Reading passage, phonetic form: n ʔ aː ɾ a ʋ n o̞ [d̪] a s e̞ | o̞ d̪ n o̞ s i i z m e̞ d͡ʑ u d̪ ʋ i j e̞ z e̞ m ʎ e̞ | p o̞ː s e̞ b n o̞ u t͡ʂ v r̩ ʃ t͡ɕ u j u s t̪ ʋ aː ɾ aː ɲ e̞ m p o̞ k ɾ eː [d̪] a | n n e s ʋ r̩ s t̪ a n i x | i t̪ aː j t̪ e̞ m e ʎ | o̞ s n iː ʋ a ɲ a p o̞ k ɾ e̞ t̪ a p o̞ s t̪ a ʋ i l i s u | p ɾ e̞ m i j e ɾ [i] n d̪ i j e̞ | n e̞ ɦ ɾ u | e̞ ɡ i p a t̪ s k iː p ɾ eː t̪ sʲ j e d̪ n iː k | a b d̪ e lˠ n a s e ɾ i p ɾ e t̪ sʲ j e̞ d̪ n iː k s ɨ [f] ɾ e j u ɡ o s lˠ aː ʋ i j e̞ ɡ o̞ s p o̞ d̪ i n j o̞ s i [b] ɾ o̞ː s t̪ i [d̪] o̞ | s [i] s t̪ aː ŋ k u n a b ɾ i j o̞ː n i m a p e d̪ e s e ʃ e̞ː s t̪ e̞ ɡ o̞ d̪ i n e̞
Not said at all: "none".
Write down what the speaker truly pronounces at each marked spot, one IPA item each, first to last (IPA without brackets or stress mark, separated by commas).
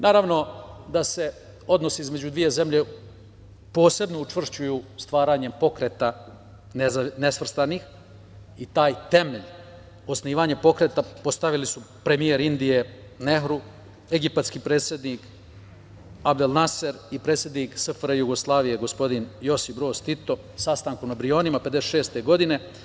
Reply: d̪, t̪, i, f, b, t̪, a